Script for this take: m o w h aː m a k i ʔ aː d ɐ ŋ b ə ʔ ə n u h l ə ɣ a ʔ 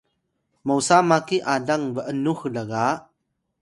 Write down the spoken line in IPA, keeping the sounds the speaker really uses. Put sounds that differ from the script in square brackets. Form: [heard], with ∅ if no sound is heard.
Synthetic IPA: m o w [s] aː m a k i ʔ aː d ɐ ŋ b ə ʔ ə n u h l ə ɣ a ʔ